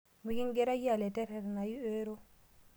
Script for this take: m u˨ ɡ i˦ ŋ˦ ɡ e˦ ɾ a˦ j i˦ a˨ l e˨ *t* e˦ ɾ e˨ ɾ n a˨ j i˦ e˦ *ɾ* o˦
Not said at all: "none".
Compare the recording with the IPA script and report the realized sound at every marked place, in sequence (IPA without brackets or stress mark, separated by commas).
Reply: t, ɾ